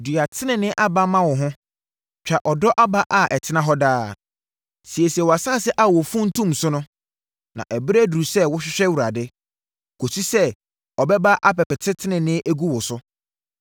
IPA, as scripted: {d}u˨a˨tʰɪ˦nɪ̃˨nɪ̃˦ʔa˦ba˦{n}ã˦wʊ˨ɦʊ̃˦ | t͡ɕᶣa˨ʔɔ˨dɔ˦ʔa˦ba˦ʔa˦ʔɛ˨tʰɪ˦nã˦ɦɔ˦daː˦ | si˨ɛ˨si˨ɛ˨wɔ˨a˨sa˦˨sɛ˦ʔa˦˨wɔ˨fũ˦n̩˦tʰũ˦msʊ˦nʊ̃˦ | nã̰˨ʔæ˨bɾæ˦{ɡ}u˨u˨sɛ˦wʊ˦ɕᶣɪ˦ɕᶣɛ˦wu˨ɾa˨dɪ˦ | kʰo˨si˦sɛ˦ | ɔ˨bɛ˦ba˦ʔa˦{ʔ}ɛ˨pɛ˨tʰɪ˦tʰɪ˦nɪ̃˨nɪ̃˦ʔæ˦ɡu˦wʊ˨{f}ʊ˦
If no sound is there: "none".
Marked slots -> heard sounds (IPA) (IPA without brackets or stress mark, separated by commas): d, m, d, p, s